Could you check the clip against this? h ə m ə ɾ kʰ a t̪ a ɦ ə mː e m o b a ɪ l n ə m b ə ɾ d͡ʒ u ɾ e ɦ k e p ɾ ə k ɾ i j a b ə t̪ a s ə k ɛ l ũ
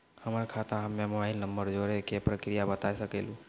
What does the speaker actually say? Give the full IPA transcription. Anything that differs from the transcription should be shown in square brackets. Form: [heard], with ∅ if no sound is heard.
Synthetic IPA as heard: h ə m ə ɾ kʰ a t̪ a ɦ ə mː e m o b a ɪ l n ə m b ə ɾ d͡ʒ [o] ɾ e [∅] k e p ɾ ə k ɾ i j a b ə t̪ a s ə k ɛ l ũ